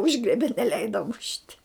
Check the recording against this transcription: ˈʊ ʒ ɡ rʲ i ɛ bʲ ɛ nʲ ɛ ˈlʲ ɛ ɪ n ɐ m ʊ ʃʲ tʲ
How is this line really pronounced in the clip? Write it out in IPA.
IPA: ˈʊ ʒ ɡ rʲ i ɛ bʲ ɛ nʲ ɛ ˈlʲ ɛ ɪ d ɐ m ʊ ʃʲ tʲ